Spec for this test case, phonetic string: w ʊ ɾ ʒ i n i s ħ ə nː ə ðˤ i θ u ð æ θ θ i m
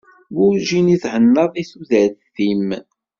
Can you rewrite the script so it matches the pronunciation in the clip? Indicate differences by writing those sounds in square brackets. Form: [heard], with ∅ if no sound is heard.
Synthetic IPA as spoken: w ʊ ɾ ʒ i n i [θ] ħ ə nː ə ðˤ i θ u ð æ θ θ i m